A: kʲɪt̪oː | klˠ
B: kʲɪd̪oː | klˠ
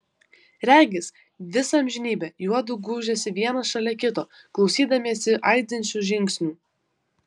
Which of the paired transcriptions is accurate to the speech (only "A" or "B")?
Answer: A